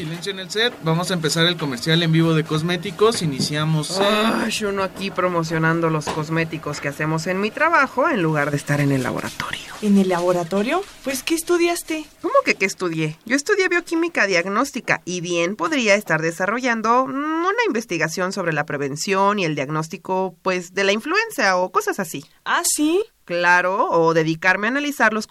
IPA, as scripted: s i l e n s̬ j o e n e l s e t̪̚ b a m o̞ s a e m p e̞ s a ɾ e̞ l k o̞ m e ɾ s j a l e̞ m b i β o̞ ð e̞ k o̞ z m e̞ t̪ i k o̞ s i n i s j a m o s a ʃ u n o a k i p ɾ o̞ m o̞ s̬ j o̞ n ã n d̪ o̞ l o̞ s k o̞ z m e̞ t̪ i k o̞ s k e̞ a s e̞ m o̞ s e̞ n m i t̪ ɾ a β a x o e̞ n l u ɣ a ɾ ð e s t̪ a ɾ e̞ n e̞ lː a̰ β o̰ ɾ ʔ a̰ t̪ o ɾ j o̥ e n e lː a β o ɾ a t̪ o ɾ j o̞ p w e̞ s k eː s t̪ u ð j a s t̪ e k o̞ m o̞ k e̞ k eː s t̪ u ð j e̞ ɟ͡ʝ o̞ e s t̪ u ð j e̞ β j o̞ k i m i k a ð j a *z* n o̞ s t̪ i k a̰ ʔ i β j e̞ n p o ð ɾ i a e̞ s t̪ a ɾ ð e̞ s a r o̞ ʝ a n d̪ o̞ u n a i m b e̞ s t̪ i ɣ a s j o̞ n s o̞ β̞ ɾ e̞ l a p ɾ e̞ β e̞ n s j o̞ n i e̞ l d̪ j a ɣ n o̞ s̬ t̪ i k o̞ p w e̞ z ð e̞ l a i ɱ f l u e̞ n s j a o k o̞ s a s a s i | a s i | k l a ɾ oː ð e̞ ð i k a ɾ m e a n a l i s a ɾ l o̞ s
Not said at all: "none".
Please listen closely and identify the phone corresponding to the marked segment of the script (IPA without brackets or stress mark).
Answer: ɣ